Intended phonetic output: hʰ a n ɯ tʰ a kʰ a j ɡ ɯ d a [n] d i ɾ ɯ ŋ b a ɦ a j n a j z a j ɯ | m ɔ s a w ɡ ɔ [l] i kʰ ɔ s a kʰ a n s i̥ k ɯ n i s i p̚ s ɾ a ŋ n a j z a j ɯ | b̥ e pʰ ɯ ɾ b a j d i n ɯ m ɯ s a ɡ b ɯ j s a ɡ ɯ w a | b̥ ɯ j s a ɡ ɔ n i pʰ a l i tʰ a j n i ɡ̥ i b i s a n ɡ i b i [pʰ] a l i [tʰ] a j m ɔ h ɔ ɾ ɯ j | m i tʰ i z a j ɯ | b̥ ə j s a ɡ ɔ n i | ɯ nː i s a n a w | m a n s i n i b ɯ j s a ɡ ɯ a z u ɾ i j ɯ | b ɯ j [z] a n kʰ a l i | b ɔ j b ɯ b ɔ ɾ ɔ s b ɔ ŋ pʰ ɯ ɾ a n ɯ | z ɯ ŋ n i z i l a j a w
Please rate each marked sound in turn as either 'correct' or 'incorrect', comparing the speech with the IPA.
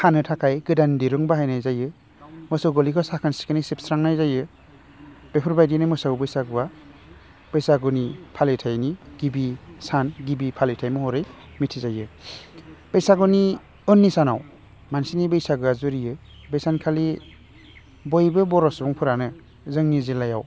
correct, correct, correct, correct, incorrect

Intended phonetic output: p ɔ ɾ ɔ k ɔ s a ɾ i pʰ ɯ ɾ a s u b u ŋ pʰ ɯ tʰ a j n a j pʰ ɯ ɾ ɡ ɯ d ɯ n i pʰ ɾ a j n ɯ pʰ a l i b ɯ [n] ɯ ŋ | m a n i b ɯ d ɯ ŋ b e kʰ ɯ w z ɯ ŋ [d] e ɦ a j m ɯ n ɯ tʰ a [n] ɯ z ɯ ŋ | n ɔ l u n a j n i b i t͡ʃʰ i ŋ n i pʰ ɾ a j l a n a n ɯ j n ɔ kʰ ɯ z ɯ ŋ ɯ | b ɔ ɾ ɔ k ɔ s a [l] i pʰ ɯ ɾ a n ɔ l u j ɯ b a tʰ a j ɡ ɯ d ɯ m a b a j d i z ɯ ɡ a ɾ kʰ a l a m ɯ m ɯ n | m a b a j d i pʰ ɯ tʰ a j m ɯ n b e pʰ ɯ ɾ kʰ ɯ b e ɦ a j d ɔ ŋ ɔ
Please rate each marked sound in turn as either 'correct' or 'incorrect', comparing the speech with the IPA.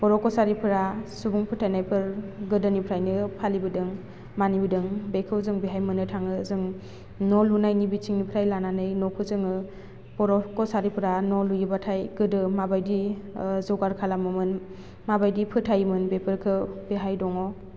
incorrect, incorrect, incorrect, incorrect

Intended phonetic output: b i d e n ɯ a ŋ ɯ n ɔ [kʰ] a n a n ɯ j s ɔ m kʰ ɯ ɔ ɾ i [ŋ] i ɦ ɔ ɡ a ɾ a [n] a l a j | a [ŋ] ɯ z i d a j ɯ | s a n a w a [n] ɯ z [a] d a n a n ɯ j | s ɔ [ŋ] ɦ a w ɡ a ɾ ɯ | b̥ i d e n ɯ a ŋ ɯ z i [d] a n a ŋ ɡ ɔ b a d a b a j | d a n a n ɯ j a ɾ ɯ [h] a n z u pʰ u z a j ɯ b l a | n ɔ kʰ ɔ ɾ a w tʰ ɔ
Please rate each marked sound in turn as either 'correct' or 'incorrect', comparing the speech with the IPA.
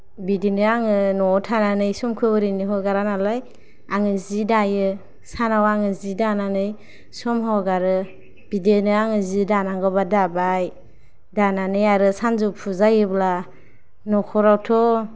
incorrect, incorrect, correct, correct, incorrect, incorrect, incorrect, correct, incorrect

